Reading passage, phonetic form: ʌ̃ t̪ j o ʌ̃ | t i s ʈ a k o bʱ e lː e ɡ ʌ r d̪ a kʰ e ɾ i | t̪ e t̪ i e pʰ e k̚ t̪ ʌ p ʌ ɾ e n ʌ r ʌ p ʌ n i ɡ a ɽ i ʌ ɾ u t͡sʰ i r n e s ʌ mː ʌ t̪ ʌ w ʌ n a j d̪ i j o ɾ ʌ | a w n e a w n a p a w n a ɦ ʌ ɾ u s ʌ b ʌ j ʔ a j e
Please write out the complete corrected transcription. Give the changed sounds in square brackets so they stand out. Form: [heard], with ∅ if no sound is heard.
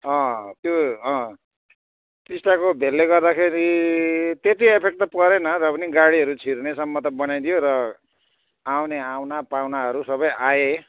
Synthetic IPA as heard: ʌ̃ t̪ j o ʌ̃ | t i s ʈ a k o bʱ e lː e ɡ ʌ r d̪ a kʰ e ɾ i | t̪ e t̪ i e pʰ e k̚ t̪ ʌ p ʌ ɾ e n ʌ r ʌ p ʌ n i ɡ a ɽ i ʌ ɾ u t͡sʰ i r n e s ʌ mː ʌ t̪ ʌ [b] ʌ n a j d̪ i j o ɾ ʌ | a w n e a w n a p a w n a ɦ ʌ ɾ u s ʌ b ʌ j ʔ a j e